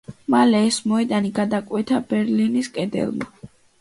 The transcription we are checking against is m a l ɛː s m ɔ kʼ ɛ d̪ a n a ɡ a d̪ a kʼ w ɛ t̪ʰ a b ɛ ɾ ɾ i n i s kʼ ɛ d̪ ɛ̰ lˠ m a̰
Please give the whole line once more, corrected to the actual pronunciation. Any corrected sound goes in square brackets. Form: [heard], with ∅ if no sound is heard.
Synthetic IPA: m a l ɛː s m ɔ [∅] ɛ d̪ a n [i] ɡ a d̪ a kʼ w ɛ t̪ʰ a b ɛ ɾ [l] i n i s kʼ ɛ d̪ ɛ̰ lˠ m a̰